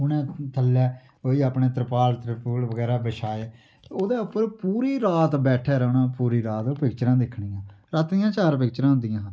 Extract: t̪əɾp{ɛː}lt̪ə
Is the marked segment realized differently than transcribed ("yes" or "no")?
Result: yes